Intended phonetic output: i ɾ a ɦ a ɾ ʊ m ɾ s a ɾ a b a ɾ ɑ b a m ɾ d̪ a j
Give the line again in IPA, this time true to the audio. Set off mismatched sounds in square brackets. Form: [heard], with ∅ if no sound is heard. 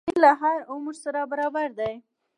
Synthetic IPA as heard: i [l] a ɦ a ɾ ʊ m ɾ s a ɾ a b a ɾ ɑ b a [∅] ɾ d̪ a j

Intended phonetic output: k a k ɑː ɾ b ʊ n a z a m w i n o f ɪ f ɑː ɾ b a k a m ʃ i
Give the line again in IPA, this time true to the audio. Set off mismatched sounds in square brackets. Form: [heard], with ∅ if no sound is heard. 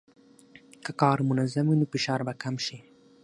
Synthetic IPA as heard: k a k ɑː ɾ [m] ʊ n a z a m w i n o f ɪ [ʃ] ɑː ɾ b a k a m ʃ i

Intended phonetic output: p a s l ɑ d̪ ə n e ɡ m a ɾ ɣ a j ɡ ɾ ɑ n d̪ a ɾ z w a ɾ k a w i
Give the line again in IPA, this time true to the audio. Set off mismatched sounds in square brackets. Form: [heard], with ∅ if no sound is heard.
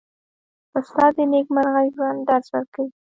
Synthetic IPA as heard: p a s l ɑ d̪ ə n e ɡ m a ɾ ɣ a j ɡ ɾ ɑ n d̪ a ɾ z w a ɾ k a w i

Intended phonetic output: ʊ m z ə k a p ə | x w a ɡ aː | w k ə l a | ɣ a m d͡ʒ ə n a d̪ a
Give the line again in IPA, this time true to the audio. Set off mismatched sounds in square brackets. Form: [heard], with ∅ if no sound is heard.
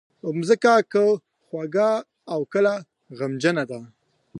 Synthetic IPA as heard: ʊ m z ə k a [k] ə | x w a ɡ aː | w k ə l a | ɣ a m d͡ʒ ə n a d̪ a

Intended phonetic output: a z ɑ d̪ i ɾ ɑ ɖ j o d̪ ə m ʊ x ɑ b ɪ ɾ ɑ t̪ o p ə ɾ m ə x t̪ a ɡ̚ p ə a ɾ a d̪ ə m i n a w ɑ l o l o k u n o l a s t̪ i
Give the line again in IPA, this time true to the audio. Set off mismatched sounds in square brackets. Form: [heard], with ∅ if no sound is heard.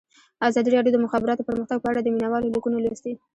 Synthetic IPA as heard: a z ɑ d̪ i ɾ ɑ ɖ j o d̪ ə m ʊ x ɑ b ɪ ɾ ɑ t̪ o p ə ɾ m ə x t̪ a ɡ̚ p ə a [ɽ] a d̪ ə m i n a w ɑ l o l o k u n o l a s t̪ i

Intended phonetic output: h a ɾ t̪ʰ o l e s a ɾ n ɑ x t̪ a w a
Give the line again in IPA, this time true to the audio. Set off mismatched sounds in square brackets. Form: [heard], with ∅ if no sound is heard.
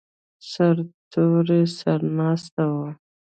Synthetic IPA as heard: [s] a ɾ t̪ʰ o [ɾ] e s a ɾ n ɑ [s] t̪ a w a

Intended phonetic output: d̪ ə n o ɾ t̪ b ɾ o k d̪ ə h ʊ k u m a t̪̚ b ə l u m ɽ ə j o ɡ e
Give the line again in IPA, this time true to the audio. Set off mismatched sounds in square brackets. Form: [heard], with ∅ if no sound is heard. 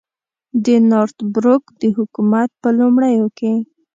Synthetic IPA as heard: d̪ ə n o ɾ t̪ b ɾ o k d̪ ə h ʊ k u m a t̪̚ [p] ə l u m ɽ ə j o [k] e

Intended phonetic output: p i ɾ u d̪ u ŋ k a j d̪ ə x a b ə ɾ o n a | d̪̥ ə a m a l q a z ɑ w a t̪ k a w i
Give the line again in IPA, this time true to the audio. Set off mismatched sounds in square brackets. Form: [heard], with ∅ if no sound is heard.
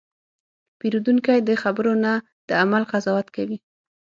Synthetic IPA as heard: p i ɾ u d̪ u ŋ k a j d̪ ə x a b ə ɾ o n a | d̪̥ ə a m a l q a z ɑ w a t̪ k a w i

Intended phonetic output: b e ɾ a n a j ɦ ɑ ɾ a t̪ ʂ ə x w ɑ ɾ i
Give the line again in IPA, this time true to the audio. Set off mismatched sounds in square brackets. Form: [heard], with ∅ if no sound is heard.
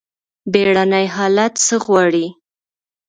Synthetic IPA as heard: b e [ɽ] a n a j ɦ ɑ [l] a t̪ [s] ə [ɣ] w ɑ [ɽ] i

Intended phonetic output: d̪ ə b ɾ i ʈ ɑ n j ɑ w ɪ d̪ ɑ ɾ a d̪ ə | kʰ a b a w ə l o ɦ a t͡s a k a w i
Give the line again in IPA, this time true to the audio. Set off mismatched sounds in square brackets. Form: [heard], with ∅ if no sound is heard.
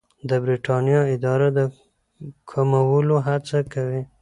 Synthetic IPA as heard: d̪ ə b ɾ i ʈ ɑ n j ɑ [∅] ɪ d̪ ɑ ɾ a d̪ ə | kʰ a [m] a w ə l o ɦ a t͡s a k a w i

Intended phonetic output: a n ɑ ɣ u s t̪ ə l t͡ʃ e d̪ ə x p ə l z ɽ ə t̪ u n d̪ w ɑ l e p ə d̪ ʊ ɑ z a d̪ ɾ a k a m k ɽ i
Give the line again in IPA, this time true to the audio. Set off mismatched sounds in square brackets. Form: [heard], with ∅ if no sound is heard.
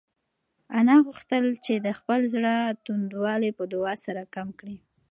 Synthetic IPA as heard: a n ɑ ɣ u [x] t̪ ə l t͡ʃ e d̪ ə x p ə l z ɽ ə t̪ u n d̪ w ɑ l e p ə d̪ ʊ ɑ [s] a [∅] ɾ a k a m k ɽ i

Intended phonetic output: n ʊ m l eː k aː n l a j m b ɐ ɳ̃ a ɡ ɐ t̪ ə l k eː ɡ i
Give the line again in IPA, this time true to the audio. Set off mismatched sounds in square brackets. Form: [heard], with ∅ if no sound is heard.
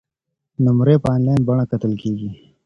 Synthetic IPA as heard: n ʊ m [ɾ] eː [p] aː n l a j [n] b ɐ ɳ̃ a [k] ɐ t̪ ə l k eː ɡ i

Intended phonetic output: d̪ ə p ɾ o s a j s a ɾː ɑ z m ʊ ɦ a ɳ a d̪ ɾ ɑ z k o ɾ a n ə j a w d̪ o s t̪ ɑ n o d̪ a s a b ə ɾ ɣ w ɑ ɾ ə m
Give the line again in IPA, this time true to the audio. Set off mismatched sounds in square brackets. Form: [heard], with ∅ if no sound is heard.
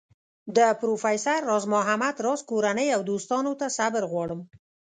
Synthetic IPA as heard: d̪ ə p ɾ o [f] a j s a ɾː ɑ z m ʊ ɦ a [m] a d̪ ɾ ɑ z k o ɾ a n ə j a w d̪ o s t̪ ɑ n o [t̪] a s a b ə ɾ ɣ w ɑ [ɽ] ə m

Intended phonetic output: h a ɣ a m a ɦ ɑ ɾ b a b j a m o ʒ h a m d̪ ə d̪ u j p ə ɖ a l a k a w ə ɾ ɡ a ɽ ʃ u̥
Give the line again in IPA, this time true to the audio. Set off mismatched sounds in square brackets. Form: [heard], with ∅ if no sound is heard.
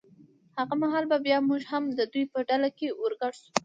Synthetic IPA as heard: h a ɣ a m a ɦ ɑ [l] b a b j [ɑ] m [u] ʒ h a m d̪ ə d̪ u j p ə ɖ a l a k [e] w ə ɾ ɡ a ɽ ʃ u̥

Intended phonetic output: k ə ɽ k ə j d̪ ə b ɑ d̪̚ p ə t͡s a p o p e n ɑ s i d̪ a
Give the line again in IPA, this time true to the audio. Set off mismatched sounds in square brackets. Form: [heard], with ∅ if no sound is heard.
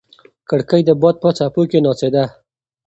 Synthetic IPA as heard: k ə ɽ k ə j d̪ ə b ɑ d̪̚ p ə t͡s a p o [k] e n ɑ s [e] d̪ a

